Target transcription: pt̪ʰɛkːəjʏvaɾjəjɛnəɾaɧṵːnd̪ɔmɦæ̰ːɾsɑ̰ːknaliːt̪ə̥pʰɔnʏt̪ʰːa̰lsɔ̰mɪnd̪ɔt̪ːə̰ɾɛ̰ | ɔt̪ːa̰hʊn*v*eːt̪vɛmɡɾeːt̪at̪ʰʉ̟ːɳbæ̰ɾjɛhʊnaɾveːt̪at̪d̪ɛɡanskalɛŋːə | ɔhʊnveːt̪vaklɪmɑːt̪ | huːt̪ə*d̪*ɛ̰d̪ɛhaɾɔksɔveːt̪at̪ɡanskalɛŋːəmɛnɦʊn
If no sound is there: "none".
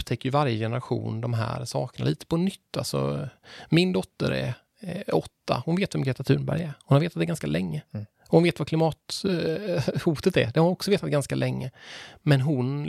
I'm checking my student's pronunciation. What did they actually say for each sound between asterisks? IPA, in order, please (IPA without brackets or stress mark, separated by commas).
v, t̪